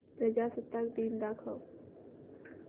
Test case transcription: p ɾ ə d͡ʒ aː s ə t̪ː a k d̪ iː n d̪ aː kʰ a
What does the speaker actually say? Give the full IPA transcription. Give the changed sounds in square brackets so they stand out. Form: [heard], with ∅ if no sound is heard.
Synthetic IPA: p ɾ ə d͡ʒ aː s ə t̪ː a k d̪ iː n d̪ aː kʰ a